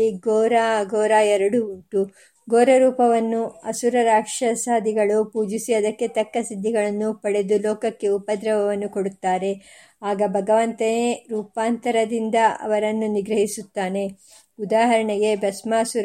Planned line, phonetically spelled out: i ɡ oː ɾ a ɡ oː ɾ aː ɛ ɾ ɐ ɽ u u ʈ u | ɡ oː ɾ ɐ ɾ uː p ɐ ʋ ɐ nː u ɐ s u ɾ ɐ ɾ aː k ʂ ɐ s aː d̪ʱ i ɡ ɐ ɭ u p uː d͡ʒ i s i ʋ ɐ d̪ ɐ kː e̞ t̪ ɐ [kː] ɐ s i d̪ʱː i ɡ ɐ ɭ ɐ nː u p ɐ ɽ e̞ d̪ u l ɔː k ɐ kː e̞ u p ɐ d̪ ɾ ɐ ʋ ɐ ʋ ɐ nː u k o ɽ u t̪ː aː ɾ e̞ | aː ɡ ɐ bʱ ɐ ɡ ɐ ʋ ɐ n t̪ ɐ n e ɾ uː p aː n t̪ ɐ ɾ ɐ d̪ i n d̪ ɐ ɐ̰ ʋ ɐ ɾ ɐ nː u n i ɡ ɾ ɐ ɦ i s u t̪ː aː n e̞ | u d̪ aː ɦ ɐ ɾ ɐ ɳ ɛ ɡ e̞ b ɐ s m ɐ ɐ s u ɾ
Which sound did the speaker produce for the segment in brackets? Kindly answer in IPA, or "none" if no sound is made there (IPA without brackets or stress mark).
kː